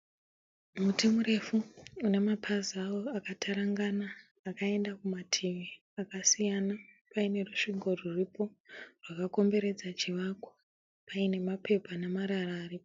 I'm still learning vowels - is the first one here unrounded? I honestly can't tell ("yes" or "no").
no